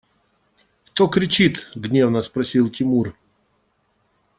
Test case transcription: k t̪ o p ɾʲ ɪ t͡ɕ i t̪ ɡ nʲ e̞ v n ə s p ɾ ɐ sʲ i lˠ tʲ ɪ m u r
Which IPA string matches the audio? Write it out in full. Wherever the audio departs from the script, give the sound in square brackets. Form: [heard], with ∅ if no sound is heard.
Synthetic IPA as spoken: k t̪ o [k] ɾʲ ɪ t͡ɕ i t̪ ɡ nʲ e̞ v n ə s p ɾ ɐ sʲ i lˠ tʲ ɪ m u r